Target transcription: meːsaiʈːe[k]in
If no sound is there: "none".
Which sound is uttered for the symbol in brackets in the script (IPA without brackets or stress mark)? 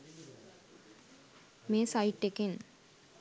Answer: k